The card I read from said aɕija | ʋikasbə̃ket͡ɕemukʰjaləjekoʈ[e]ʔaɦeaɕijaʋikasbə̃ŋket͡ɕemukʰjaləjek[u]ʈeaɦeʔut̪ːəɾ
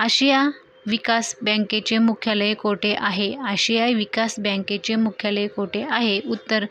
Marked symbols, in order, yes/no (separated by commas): yes, no